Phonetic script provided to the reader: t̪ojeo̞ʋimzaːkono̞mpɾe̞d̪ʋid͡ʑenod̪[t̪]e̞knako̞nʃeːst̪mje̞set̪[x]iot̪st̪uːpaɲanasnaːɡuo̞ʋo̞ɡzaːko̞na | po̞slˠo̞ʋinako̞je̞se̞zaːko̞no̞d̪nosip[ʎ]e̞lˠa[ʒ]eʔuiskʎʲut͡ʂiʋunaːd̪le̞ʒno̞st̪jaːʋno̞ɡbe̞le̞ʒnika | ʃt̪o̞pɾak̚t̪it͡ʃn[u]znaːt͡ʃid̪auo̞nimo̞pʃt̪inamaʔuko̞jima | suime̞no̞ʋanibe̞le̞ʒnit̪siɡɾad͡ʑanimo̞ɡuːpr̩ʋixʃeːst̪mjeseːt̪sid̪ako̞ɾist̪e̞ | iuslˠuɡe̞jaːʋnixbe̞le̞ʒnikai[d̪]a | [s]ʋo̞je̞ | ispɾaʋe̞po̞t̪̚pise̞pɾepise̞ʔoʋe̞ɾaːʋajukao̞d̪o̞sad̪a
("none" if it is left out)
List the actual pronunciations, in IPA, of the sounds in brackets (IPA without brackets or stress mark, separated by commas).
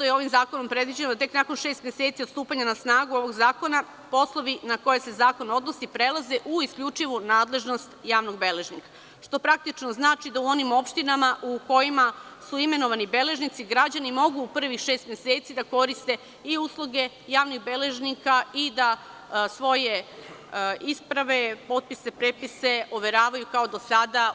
t̪, s, ɾ, z, o, d̪, s